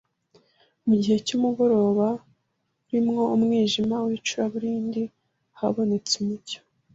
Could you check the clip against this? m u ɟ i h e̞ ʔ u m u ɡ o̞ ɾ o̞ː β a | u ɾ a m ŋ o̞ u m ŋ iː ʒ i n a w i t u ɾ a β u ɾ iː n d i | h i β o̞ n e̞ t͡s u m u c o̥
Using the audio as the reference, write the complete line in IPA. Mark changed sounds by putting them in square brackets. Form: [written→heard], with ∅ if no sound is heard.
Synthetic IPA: m u ɟ i h e̞ [ʔ→c] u m u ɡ o̞ ɾ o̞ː β a | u ɾ [a→i] m ŋ o̞ u m ŋ iː ʒ i [n→m] a w i [t→t͡ʃ] u ɾ a β u ɾ iː n d i | h [i→a] β o̞ n e̞ t͡s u m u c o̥